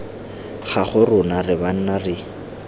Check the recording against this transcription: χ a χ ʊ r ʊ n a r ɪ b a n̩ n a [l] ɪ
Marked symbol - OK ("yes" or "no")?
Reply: no